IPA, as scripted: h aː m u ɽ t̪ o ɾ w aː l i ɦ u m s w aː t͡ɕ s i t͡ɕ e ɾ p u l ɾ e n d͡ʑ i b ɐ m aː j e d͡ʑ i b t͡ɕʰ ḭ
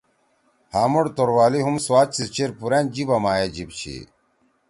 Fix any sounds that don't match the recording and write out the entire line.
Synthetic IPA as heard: h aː m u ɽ t̪ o ɾ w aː l i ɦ u m s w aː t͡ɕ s i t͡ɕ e ɾ p u ɾ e n d͡ʑ i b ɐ m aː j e d͡ʑ i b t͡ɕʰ ḭ

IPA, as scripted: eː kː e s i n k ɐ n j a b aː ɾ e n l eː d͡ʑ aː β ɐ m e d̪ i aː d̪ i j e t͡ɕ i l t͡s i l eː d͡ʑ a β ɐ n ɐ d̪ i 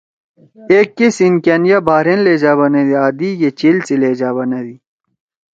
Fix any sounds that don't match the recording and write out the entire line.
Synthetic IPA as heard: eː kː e s i n k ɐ n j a b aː ɾ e n l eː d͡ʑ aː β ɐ n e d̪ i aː d̪ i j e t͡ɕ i l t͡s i l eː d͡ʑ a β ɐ n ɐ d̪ i

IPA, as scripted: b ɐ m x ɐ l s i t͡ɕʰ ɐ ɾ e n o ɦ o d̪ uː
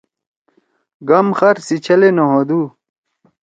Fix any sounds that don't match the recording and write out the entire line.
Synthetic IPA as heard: ɡ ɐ m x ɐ ɾ s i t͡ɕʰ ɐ l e n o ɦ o d̪ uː

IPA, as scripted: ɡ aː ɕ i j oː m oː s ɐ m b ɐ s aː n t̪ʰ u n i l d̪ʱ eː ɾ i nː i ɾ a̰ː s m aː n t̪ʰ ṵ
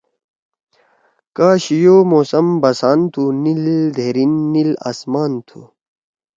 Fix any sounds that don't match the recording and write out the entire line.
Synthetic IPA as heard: k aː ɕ i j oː m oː s ɐ m b ɐ s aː n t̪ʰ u n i l d̪ʱ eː ɾ i nː i l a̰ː s m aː n t̪ʰ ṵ

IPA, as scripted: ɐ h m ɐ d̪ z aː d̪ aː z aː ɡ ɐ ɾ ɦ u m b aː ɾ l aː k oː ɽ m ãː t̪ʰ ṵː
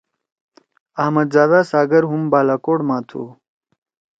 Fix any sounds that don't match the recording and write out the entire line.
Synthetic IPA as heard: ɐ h m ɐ d̪ z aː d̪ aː s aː ɡ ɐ ɾ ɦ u m b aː l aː k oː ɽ m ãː t̪ʰ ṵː

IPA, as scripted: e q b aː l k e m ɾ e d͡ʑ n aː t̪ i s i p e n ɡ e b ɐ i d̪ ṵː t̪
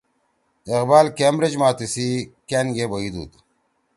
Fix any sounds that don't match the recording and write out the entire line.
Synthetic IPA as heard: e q b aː l k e m ɾ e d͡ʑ m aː t̪ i s i k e n ɡ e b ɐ i d̪ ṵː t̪

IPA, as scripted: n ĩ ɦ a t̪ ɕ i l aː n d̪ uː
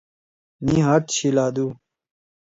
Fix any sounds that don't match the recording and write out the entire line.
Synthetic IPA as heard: n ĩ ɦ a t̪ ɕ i l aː d̪ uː

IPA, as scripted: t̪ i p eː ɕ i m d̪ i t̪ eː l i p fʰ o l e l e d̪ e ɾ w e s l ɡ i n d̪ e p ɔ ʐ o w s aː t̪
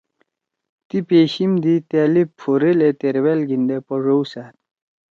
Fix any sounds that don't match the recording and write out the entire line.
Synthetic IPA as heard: t̪ i p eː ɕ i m d̪ i t̪ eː l i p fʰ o ɾ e l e t̪ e ɾ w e l ɡ i n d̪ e p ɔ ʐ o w s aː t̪

